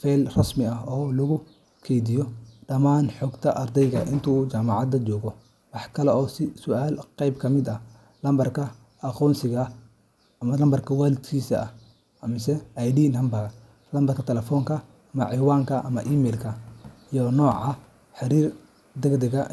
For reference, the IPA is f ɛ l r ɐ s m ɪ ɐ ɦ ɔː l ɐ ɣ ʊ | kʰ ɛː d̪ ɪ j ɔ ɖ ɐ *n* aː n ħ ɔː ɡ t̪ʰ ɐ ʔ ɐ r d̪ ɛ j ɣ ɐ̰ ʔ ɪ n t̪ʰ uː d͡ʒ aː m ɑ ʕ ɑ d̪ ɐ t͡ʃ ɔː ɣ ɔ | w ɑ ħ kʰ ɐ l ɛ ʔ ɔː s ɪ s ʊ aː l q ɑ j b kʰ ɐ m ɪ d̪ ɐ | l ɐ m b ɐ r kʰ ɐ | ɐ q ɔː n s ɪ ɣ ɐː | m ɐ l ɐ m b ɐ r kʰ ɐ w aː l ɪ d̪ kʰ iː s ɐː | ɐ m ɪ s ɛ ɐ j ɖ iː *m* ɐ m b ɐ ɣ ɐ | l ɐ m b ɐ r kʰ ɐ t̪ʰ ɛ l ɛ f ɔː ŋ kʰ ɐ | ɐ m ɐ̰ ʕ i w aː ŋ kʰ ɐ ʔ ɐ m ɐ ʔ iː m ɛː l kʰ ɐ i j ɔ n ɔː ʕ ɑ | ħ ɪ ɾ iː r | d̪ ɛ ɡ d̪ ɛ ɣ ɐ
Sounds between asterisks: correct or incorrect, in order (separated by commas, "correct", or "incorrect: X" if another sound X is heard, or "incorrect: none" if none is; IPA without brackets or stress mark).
incorrect: m, incorrect: n